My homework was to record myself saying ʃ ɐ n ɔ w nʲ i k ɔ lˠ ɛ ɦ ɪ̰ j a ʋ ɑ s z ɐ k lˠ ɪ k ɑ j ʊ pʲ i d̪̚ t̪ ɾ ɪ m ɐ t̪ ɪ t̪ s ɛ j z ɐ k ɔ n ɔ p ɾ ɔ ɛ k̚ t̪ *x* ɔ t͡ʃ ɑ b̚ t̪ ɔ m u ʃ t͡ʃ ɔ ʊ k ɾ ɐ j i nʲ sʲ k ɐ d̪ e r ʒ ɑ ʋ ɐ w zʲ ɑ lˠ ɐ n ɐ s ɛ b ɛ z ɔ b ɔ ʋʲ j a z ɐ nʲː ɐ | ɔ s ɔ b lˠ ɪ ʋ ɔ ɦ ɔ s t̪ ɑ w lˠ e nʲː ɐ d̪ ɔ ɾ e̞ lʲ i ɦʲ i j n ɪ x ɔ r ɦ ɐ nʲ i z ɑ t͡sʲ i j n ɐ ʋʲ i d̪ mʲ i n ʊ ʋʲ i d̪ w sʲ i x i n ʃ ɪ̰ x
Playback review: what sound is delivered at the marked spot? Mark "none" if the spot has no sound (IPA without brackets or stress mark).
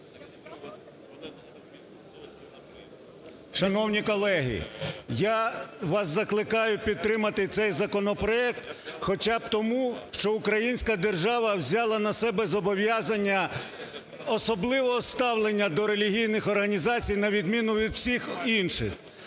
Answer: x